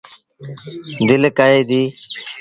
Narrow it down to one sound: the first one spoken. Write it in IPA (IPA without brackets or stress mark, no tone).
d̪